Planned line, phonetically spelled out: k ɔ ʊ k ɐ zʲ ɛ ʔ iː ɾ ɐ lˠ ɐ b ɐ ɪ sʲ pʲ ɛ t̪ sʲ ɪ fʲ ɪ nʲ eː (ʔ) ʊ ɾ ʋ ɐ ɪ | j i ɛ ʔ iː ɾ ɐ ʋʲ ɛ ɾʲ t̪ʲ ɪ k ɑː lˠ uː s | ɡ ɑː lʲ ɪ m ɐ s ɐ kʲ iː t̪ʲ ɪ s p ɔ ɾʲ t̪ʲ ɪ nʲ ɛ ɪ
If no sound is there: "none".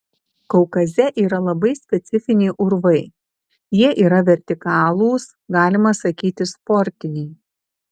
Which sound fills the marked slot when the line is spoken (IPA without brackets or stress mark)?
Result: ʔ